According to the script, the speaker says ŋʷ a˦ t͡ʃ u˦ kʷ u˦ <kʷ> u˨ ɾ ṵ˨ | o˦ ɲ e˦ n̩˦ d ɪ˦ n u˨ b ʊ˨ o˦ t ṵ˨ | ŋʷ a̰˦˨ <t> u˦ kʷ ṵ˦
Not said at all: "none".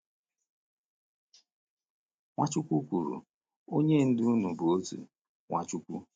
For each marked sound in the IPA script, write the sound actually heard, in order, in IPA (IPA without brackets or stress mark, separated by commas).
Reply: kʷ, t͡ʃ